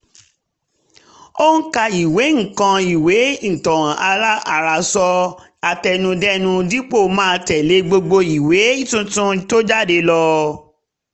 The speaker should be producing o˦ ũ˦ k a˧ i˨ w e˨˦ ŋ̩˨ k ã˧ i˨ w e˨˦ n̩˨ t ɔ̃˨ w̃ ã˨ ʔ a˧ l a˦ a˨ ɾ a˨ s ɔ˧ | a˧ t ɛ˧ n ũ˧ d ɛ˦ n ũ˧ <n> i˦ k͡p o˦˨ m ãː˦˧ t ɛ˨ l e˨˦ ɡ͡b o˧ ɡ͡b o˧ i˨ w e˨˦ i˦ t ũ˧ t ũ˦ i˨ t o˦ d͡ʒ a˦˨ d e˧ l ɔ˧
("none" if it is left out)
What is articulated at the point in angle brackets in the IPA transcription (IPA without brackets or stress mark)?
d